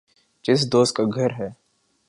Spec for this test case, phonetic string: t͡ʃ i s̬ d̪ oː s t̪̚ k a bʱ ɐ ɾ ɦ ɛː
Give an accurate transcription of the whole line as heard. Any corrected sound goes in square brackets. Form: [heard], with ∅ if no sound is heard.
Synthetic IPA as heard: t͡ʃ [ɪ] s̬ d̪ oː s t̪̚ k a [ɡʱ] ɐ ɾ ɦ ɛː

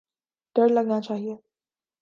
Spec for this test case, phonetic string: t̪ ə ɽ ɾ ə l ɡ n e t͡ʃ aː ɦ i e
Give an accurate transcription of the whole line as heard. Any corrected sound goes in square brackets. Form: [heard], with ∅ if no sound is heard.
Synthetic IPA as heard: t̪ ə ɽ [l] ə [∅] ɡ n [a] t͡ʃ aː ɦ i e

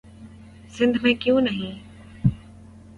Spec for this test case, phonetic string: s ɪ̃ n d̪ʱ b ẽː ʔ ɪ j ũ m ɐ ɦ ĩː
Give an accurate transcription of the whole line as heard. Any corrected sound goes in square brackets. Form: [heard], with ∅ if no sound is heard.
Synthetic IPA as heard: s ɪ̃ n d̪ʱ [m] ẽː [k] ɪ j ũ [n] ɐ ɦ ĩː

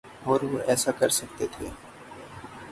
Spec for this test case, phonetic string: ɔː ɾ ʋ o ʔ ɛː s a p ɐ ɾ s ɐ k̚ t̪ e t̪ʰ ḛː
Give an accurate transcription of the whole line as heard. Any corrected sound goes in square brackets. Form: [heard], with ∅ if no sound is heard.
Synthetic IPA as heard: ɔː ɾ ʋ o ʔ ɛː s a [k] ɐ ɾ s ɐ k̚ t̪ e t̪ʰ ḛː

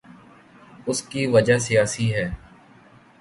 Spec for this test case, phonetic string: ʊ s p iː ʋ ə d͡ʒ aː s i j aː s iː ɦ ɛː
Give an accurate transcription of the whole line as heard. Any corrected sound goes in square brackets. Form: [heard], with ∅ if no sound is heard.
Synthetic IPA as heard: ʊ s [k] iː ʋ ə d͡ʒ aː s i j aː s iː ɦ ɛː

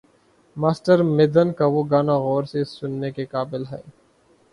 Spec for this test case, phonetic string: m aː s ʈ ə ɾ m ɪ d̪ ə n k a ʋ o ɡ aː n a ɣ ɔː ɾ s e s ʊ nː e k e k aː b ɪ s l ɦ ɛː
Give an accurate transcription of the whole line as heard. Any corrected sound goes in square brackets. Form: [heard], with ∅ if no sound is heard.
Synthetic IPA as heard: m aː s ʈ ə ɾ m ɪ d̪ ə n k a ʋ o ɡ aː n a ɣ ɔː ɾ s e s ʊ nː e k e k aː b ɪ [∅] l ɦ ɛː

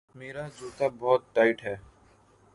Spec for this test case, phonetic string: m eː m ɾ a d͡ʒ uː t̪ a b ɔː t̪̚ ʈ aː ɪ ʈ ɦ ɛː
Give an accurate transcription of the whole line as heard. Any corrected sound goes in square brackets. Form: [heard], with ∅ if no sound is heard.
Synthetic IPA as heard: m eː [∅] ɾ a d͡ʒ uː t̪ a b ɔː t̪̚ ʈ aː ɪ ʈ ɦ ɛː

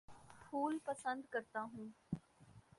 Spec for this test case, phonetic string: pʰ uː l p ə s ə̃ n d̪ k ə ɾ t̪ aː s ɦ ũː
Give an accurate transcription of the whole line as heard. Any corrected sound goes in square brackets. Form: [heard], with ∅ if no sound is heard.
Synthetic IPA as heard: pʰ uː l p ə s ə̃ n d̪ k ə ɾ t̪ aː [∅] ɦ ũː

